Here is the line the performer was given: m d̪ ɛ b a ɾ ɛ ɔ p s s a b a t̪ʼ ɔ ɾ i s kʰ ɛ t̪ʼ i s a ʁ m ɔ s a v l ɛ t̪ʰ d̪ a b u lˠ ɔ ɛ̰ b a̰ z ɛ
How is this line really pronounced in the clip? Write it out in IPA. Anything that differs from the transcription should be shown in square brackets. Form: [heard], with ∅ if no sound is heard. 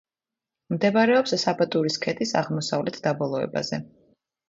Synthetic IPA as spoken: m d̪ ɛ b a ɾ ɛ ɔ p s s a b a t̪ʼ [u] ɾ i s kʰ ɛ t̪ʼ i s a ʁ m ɔ s a v l ɛ t̪ʰ d̪ a b [ɔ] lˠ ɔ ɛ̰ b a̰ z ɛ